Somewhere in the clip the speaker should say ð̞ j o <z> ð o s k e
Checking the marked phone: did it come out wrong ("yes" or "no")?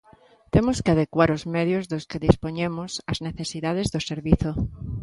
no